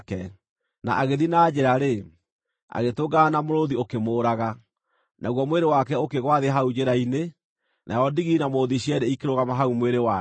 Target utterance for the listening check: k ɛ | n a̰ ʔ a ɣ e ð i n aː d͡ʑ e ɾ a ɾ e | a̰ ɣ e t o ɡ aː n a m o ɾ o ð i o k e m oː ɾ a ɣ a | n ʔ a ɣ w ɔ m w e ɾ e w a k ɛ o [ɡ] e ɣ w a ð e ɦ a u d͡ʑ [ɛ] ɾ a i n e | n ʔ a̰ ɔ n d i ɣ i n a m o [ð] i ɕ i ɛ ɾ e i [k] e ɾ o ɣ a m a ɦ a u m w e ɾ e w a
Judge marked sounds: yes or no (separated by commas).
no, no, yes, yes